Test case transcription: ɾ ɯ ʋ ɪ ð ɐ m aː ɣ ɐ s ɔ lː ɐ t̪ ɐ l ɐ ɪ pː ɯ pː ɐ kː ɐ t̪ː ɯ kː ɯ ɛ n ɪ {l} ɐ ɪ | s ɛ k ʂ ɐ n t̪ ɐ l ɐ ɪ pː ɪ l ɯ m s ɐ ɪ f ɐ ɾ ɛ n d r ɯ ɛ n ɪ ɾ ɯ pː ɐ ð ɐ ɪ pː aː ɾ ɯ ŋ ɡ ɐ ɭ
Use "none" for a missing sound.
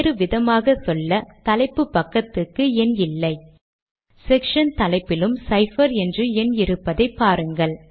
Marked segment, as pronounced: lː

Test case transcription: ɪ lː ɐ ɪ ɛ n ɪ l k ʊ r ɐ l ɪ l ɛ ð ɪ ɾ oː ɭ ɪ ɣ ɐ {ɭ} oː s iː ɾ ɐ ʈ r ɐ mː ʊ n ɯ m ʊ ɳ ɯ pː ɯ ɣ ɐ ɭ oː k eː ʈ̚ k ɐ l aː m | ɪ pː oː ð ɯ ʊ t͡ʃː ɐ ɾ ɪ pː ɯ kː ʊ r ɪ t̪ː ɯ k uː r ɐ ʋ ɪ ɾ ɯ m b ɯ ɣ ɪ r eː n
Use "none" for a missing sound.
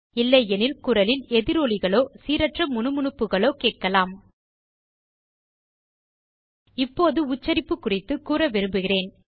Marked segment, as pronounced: ɭ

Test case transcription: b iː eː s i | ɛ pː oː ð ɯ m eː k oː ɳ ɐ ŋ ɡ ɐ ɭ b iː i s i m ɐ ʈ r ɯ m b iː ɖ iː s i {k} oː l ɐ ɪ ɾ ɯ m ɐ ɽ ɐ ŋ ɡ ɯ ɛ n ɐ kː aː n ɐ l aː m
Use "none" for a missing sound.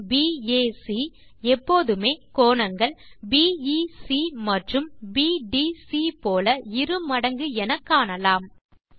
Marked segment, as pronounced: p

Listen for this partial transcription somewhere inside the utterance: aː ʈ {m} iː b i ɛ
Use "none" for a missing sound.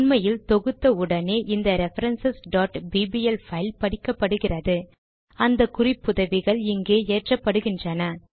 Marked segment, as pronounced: b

